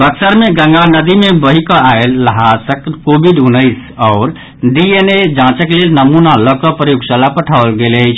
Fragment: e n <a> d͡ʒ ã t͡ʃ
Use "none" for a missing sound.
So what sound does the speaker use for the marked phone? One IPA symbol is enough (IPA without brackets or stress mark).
e